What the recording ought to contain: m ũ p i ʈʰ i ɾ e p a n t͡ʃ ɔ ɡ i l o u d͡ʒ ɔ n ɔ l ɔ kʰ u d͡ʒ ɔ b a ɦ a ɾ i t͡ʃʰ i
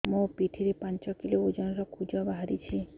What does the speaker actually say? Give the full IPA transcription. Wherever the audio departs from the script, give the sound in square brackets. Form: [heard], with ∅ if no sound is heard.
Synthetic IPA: m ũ p i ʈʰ i ɾ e p a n t͡ʃ ɔ [k] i l o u d͡ʒ ɔ n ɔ [ɾ] ɔ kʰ u d͡ʒ ɔ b a ɦ a ɾ i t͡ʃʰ i